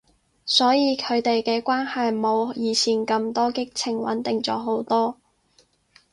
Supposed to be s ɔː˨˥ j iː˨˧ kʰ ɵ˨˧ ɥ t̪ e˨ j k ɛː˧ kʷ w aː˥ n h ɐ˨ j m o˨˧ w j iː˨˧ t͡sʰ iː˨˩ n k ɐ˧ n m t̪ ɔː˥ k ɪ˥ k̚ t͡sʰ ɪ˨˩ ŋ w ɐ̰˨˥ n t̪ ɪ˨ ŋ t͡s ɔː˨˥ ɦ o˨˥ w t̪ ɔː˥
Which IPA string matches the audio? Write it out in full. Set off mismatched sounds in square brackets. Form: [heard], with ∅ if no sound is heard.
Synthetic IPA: s ɔː˨˥ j iː˨˧ kʰ ɵ˨˧ ɥ t̪ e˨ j k ɛː˧ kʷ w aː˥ n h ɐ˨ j m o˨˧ w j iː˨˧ t͡sʰ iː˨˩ n k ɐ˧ [∅] m t̪ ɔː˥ k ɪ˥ k̚ t͡sʰ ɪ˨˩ ŋ w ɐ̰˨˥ n t̪ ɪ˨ ŋ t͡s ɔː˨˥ ɦ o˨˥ w t̪ ɔː˥